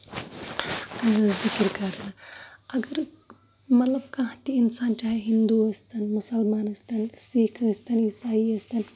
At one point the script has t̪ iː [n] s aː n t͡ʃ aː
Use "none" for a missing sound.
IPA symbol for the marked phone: n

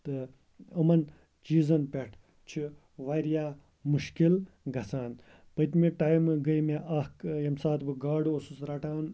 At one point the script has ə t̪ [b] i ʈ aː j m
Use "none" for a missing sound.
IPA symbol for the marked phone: m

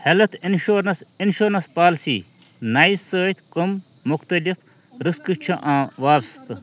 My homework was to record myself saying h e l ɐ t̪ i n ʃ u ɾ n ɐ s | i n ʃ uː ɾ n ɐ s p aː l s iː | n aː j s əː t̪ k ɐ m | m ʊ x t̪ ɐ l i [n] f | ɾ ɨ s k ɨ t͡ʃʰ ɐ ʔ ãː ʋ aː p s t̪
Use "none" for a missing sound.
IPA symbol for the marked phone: none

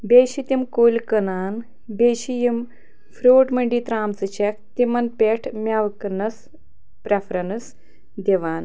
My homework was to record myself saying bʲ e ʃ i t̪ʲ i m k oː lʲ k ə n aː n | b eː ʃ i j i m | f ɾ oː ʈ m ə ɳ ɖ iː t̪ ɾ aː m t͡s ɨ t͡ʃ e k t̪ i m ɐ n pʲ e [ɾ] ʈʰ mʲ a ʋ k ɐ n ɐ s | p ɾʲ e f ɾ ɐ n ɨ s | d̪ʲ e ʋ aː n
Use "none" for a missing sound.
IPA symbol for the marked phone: none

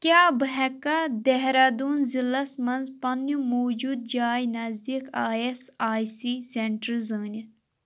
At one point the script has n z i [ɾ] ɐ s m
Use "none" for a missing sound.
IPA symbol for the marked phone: l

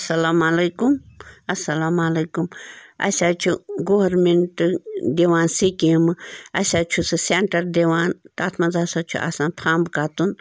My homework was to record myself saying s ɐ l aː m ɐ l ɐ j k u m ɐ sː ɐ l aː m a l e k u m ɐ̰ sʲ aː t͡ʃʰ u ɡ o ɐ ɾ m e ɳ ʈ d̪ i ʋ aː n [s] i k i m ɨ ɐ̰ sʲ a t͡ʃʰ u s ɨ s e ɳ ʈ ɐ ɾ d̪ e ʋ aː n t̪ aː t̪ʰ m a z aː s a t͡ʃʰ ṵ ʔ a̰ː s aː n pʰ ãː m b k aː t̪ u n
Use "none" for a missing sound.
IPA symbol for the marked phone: s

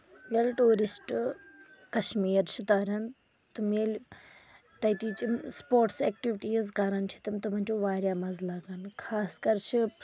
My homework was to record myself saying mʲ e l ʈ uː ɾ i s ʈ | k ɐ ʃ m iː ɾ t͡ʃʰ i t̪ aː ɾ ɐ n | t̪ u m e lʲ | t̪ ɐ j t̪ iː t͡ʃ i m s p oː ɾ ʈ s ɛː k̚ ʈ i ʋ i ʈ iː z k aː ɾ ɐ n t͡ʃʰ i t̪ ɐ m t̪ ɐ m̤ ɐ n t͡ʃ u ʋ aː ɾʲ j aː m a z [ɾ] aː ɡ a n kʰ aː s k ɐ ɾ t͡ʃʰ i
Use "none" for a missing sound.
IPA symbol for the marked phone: l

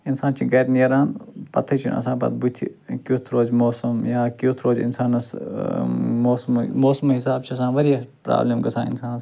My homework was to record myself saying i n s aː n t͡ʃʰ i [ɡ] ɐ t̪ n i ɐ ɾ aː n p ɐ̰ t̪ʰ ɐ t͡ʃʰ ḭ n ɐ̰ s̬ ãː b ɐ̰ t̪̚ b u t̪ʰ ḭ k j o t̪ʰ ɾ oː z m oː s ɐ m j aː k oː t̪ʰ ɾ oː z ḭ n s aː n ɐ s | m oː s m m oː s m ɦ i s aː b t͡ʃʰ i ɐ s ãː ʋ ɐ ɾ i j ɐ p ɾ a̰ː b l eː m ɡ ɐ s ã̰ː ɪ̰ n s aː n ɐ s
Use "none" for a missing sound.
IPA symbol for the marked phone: ɡ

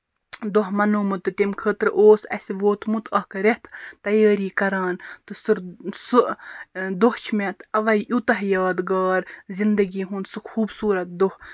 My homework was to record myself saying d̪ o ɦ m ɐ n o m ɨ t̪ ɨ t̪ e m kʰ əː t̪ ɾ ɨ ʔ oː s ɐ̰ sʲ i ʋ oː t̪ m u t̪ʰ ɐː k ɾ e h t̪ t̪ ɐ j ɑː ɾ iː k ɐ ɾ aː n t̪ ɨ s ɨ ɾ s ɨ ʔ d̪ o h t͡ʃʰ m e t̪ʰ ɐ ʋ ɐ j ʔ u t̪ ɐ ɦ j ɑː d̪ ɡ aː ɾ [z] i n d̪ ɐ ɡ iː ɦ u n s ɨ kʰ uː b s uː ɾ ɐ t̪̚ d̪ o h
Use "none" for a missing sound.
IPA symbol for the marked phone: z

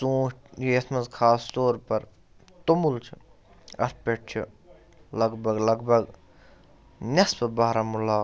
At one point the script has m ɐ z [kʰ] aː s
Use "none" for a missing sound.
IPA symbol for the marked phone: kʰ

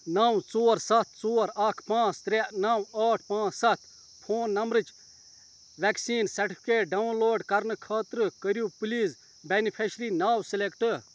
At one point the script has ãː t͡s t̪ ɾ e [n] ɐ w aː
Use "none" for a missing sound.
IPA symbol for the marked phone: n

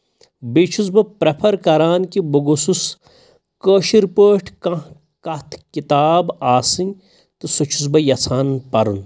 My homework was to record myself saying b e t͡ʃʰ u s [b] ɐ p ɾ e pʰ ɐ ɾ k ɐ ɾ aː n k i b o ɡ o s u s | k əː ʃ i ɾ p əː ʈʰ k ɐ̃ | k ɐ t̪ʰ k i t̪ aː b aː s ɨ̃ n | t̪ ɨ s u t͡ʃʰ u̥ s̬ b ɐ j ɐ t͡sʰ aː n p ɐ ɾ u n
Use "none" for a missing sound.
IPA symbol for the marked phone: b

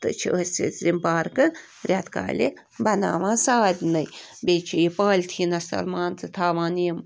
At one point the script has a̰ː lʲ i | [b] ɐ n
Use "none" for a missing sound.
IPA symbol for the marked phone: b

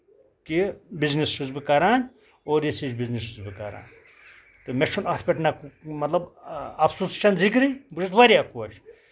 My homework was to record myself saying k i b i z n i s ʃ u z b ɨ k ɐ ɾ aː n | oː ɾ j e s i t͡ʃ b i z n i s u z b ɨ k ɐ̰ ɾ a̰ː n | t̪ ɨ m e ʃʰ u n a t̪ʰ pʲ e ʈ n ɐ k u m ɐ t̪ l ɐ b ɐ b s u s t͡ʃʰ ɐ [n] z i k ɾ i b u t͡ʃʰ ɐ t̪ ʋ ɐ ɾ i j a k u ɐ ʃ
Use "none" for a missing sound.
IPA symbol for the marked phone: n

